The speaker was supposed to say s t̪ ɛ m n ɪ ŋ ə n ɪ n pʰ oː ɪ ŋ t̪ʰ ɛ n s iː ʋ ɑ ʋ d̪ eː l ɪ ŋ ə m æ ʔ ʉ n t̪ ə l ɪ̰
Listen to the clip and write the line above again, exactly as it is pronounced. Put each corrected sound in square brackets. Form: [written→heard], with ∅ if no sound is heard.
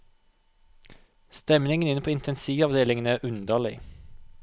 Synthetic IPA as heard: s t̪ ɛ m n ɪ ŋ ə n ɪ n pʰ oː ɪ [ŋ→n] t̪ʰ ɛ n s iː ʋ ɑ ʋ d̪ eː l ɪ ŋ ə [m→n] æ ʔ ʉ n [t̪→d̪] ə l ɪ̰